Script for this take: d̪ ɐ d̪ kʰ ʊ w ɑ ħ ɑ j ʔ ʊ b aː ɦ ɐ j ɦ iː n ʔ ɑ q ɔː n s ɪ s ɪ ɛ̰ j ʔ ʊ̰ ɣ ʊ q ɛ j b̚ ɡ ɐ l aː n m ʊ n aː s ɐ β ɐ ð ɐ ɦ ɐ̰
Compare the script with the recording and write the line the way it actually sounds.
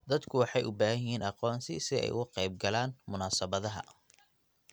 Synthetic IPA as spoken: d̪ ɐ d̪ kʰ ʊ w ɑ ħ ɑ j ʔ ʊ b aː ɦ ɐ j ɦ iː n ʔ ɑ q ɔː n s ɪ s ɪ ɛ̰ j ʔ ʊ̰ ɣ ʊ q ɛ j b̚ ɡ ɐ l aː n m ʊ n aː s ɐ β ɐ ð ɐ ɦ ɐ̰